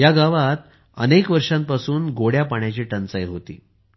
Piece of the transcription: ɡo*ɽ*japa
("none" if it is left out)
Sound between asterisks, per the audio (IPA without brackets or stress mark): ɽ